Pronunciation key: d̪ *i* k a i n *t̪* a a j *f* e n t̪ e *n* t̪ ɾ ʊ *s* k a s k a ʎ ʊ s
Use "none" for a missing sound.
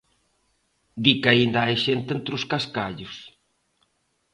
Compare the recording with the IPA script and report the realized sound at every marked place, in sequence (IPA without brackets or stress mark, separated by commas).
i, d̪, ʃ, n, s